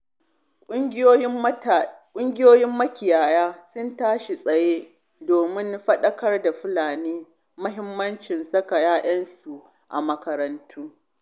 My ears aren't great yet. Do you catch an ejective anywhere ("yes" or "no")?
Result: yes